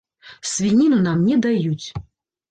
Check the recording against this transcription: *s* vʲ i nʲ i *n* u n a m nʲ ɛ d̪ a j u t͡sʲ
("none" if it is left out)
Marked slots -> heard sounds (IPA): s, n

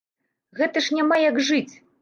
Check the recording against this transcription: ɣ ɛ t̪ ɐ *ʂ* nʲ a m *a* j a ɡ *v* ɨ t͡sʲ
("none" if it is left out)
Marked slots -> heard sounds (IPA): ʂ, a, ʐ

